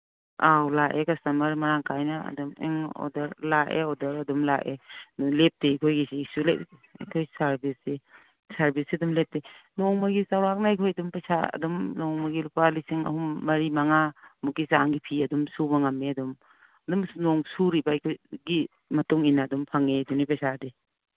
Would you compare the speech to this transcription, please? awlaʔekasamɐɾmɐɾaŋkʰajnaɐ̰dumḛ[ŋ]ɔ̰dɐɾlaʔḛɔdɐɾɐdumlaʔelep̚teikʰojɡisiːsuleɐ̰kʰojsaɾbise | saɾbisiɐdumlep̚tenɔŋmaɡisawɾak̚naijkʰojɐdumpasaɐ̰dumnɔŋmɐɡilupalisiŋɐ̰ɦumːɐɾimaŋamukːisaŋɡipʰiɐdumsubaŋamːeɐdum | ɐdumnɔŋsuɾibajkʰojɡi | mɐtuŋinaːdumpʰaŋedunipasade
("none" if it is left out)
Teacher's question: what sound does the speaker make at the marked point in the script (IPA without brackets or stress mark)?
ŋ